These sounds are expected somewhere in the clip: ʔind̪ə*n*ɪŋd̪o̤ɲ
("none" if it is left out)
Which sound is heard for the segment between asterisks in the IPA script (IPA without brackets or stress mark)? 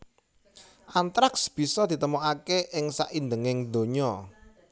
ŋ